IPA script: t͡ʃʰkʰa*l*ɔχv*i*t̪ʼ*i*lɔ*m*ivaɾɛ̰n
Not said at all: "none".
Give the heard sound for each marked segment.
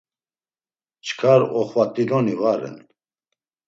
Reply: ɾ, a, i, n

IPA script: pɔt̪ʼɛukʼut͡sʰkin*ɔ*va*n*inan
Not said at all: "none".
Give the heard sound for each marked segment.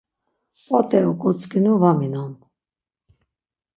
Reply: u, m

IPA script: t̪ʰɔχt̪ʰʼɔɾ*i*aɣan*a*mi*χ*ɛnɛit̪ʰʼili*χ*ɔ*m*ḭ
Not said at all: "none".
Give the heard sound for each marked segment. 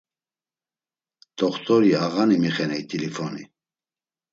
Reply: i, i, χ, f, n

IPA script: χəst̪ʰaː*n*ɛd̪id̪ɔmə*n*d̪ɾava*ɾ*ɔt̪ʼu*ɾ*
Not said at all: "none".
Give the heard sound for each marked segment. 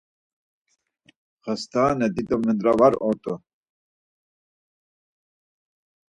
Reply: n, n, ɾ, none

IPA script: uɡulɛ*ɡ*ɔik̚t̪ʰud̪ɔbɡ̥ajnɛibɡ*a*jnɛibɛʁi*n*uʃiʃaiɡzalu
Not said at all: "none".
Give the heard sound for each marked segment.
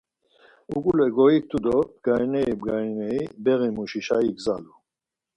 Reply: ɡ, a, m

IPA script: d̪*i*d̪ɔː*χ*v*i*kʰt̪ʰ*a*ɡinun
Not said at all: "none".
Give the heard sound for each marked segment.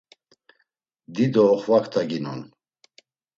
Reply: i, χ, a, a

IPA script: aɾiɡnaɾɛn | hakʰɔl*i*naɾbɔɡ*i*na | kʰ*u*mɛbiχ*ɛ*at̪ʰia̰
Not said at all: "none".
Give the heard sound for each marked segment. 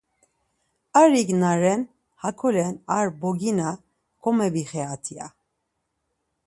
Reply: ɛ, i, ɔ, ɛ

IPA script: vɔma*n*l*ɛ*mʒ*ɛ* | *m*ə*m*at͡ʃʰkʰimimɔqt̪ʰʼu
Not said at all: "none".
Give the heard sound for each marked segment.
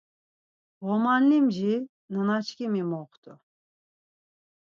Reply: n, i, i, n, n

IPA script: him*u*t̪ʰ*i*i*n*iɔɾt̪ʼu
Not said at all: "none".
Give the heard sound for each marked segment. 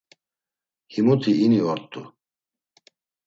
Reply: u, i, n

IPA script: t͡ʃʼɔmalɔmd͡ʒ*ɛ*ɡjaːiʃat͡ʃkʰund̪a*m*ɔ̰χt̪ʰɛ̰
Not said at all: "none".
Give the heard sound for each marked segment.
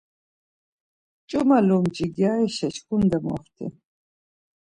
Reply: i, m

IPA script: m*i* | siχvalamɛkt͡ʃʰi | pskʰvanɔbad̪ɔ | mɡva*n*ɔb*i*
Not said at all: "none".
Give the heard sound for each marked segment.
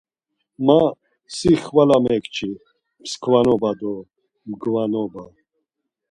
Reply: a, n, a

